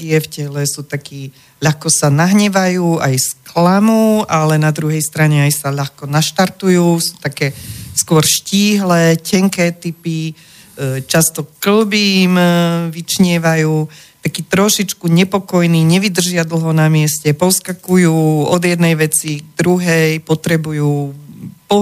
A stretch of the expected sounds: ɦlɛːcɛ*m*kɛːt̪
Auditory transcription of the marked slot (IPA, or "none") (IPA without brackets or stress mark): ŋ